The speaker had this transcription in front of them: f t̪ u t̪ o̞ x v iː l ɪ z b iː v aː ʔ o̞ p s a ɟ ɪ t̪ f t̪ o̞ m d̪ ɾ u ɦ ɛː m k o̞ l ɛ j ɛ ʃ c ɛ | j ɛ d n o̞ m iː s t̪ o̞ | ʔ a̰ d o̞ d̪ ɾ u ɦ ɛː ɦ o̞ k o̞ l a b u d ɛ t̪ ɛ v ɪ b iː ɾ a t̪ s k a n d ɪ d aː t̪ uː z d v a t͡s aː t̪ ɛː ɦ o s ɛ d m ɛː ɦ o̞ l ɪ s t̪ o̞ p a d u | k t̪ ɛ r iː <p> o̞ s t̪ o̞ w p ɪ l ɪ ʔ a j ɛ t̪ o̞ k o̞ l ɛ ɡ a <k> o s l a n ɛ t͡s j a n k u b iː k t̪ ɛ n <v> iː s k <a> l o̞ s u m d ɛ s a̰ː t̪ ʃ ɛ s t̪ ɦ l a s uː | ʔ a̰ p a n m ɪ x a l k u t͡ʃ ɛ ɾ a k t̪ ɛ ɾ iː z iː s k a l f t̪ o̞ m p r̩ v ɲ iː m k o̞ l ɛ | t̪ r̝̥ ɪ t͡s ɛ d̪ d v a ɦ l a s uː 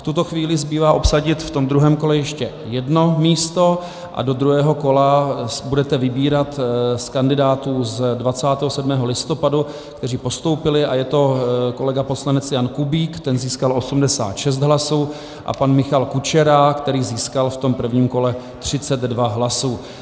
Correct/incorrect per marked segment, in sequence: correct, incorrect, incorrect, correct

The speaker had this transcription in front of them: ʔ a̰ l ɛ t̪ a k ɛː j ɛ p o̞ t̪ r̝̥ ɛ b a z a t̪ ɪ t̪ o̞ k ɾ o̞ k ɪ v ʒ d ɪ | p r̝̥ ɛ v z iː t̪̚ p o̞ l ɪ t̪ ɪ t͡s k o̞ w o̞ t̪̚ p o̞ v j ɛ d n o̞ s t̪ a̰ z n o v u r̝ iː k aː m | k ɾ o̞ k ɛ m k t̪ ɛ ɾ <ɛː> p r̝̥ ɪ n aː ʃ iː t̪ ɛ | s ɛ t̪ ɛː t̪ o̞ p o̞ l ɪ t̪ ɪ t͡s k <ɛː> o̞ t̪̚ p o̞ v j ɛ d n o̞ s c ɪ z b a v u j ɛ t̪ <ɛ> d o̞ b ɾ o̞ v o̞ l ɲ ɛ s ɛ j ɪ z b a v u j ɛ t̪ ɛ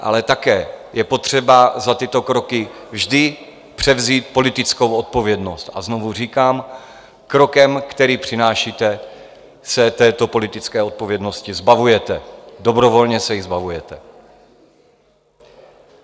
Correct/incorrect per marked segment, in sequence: incorrect, correct, correct

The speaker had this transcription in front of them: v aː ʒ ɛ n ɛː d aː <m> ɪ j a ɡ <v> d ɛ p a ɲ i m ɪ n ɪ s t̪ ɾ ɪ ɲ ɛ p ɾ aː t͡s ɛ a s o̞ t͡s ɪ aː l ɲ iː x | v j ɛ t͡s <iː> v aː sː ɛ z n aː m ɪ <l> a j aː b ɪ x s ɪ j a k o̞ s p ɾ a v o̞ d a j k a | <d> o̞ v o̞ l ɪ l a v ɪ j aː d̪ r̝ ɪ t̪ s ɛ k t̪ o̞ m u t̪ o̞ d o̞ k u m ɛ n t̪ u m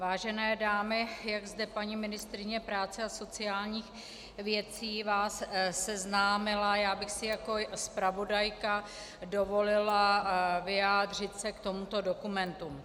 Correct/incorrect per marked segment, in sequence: correct, incorrect, correct, correct, correct

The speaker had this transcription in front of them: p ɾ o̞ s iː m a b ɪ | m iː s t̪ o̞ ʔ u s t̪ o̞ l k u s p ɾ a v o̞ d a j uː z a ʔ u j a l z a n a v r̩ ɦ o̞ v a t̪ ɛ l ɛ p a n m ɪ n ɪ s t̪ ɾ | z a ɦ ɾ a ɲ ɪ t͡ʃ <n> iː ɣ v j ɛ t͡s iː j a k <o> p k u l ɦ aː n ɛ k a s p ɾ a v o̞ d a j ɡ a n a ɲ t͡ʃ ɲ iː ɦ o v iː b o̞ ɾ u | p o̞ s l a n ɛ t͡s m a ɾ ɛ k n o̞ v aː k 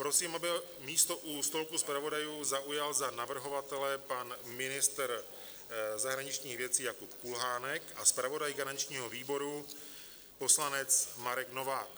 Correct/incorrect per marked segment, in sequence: incorrect, incorrect

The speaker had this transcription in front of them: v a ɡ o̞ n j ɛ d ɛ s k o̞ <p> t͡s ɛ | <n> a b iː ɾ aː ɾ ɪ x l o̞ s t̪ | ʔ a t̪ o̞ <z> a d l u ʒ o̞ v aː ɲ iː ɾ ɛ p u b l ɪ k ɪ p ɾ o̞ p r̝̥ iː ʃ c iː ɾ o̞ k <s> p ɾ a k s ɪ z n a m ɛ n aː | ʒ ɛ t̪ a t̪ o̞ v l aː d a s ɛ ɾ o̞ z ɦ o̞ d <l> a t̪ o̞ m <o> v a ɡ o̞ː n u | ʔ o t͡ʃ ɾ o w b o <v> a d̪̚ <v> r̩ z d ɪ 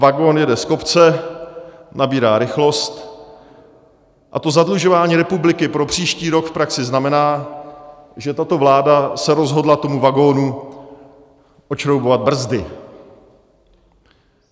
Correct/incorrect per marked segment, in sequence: correct, correct, correct, incorrect, correct, incorrect, correct, incorrect

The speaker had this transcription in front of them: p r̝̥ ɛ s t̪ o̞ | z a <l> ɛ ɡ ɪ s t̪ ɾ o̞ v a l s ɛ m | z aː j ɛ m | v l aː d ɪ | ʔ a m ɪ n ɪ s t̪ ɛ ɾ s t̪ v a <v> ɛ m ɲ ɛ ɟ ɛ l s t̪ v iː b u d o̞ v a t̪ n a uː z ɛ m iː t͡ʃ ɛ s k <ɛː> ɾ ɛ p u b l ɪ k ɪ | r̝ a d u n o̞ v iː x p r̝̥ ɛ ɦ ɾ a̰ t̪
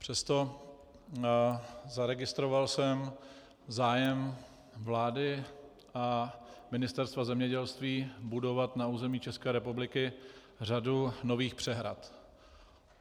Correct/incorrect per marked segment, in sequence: incorrect, incorrect, correct

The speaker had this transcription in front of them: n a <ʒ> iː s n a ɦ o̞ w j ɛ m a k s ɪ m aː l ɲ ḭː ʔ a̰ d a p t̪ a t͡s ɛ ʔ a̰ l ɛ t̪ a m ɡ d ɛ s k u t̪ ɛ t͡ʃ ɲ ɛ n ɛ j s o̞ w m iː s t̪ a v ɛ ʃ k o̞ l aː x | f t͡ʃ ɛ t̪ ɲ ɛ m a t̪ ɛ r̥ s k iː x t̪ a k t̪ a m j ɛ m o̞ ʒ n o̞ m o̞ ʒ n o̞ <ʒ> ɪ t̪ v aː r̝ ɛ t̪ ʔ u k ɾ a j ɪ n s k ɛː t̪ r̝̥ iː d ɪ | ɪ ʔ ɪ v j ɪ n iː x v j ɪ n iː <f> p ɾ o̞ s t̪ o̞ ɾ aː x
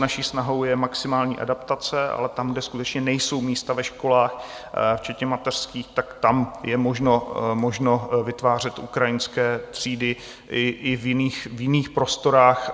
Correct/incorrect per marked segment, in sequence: incorrect, incorrect, incorrect

